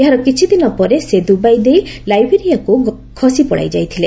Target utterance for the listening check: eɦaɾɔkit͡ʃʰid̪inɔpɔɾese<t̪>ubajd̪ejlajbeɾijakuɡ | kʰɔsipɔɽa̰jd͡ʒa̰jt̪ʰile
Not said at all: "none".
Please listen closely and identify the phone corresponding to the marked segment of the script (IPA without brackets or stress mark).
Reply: d̪